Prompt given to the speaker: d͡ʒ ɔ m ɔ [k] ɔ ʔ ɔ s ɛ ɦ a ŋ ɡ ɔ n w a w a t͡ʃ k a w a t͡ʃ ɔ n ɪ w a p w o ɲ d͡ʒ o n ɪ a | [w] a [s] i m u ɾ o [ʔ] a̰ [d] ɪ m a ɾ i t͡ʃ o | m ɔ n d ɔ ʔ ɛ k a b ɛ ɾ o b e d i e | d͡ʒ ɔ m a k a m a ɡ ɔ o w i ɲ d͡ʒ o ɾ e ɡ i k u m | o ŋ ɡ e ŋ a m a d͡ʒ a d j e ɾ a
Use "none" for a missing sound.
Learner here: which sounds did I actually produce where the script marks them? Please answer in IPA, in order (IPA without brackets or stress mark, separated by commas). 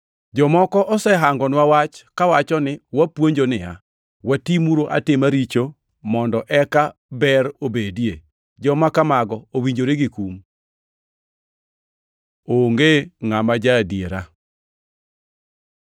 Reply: k, w, t, ʔ, t